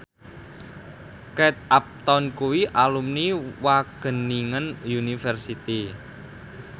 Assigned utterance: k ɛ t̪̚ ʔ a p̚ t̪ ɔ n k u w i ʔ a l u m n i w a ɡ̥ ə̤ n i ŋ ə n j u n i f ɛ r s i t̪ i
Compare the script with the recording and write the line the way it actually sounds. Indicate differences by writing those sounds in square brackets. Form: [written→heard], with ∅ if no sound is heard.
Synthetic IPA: k ɛ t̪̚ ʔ a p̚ t̪ ɔ n k u w i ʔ a l u m n i w a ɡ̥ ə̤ n i ŋ ə n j u n i f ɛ r s i t̪ i